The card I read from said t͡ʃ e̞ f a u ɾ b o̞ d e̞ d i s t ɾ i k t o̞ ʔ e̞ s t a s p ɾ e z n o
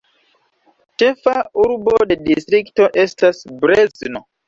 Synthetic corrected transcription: t͡ʃ e̞ f a u ɾ b o̞ d e̞ d i s t ɾ i k t o̞ ʔ e̞ s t a s b ɾ e z n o